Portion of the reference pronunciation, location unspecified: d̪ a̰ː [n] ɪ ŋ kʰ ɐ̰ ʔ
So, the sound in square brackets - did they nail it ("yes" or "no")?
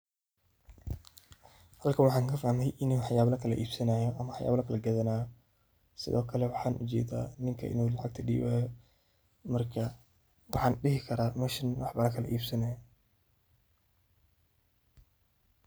yes